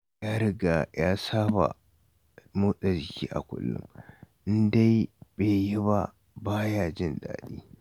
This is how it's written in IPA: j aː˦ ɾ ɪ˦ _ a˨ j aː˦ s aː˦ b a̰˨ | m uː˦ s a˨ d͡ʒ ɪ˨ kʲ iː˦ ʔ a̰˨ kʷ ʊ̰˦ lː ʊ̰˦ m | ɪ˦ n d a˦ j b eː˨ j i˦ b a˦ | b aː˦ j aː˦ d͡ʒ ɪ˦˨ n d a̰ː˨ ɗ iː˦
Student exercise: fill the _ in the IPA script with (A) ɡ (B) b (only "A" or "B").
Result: A